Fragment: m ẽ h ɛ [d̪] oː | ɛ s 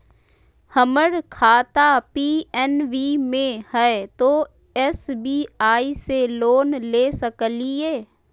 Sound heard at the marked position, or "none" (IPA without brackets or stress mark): t̪